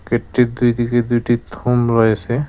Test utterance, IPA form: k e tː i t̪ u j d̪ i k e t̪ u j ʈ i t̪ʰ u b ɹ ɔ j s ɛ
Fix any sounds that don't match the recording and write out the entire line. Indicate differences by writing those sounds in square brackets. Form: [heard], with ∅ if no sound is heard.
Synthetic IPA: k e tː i [d̪] u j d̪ i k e [d̪] u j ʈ i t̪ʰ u [m] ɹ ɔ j s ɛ